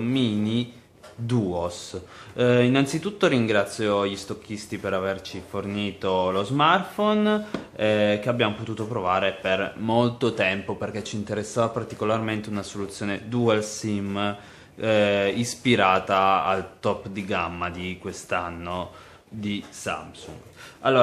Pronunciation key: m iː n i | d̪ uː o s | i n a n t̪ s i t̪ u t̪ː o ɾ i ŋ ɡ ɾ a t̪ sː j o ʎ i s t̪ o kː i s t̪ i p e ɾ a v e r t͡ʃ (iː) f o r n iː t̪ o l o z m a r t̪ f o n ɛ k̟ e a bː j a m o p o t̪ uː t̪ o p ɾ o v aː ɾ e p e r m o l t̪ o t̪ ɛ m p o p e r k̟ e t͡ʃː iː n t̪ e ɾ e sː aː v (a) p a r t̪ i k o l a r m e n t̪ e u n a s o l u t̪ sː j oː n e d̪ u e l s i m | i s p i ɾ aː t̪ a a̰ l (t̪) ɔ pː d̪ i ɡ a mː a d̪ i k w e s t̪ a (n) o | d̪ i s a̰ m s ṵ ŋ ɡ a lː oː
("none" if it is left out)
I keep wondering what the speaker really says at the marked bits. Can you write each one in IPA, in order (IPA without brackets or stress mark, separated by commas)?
i, a, t̪, nː